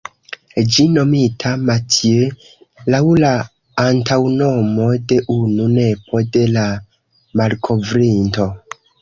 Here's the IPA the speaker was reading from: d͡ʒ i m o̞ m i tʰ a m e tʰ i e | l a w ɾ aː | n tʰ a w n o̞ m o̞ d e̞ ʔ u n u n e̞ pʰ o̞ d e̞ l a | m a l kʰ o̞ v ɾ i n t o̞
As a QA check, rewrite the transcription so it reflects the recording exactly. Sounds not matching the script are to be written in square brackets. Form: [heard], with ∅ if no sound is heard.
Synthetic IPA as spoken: d͡ʒ i [n] o̞ m i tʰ a m [a] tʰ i e | l a w [l] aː | n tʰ a w n o̞ m o̞ d e̞ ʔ u n u n e̞ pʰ o̞ d e̞ l a | m a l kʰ o̞ v ɾ i n t o̞